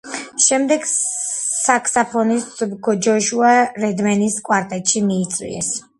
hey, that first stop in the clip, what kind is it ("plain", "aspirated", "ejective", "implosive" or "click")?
plain